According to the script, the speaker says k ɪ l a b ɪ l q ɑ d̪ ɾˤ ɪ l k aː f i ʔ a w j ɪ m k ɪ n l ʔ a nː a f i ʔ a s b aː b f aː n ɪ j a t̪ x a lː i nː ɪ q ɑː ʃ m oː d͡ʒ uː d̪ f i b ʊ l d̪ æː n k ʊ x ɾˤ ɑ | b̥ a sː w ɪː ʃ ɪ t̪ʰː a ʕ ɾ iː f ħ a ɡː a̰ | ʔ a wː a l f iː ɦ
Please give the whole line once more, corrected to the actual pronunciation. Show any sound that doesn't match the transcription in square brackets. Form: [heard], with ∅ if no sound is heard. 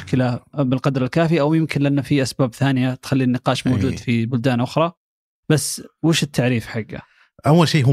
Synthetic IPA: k ɪ l a b ɪ l q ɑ d̪ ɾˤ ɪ l k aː f i ʔ a w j ɪ m k ɪ n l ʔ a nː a f i ʔ a s b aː b [θ] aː n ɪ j a t̪ x a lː i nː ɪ q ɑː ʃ m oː d͡ʒ uː d̪ f i b ʊ l d̪ [aː] n [ʔ] ʊ x ɾˤ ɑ | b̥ a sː w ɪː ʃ ɪ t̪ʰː a ʕ ɾ iː f ħ a ɡː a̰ | ʔ a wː a l [ʃ] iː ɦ